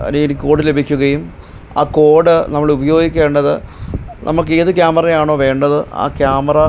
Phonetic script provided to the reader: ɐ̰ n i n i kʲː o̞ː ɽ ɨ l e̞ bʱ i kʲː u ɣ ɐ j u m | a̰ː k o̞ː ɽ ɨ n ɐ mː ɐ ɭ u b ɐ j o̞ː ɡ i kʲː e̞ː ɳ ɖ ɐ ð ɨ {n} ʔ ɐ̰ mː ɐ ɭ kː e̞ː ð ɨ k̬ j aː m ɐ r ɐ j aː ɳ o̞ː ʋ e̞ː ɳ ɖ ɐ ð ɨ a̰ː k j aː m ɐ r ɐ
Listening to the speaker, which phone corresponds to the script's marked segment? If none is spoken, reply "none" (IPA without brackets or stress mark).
n